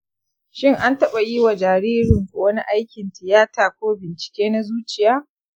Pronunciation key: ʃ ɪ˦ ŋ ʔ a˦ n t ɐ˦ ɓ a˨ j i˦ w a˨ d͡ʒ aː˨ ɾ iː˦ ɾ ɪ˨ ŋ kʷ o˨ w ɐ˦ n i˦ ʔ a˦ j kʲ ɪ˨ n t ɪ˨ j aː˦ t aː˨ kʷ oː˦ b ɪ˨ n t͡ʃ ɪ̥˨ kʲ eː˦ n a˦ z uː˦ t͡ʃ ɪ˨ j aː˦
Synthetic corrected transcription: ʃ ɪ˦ ŋ ʔ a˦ n t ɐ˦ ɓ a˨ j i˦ w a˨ d͡ʒ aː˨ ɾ iː˦ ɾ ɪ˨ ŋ kʷ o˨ w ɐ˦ n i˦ ʔ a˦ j kʲ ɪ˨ n t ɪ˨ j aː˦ t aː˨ kʷ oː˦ b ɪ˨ n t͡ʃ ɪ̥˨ kʲ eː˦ n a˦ z uː˦ t͡ʃ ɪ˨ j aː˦